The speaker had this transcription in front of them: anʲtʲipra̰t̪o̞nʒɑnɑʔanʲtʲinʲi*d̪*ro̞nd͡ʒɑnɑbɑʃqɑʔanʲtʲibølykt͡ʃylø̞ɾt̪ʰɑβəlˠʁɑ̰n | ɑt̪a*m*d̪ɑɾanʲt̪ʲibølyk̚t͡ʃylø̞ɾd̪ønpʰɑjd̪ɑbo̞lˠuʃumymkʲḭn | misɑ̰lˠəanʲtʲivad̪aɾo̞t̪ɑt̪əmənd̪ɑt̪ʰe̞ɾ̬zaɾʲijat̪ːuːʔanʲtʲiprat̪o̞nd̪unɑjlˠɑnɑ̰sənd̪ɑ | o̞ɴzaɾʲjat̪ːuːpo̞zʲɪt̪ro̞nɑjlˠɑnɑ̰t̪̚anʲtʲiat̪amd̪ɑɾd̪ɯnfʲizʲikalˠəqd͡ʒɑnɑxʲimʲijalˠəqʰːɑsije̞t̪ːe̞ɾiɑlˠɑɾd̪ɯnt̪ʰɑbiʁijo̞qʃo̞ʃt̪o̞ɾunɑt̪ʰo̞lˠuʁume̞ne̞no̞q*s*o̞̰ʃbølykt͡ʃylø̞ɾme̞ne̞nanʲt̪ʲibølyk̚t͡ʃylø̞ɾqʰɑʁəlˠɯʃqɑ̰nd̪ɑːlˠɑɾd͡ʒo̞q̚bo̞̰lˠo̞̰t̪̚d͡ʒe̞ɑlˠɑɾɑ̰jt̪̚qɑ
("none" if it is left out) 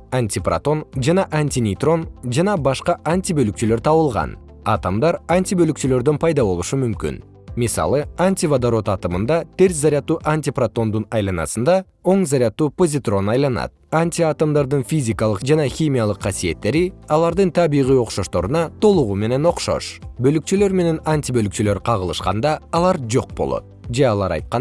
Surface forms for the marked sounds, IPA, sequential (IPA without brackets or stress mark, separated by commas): t̪, m, ʃ